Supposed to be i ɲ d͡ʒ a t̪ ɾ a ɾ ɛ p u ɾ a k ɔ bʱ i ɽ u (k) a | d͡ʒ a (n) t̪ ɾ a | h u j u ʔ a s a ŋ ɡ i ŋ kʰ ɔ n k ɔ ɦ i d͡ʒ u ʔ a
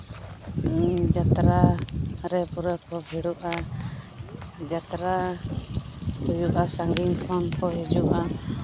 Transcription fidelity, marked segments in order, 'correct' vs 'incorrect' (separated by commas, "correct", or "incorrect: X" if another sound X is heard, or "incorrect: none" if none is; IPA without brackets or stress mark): incorrect: ʔ, incorrect: none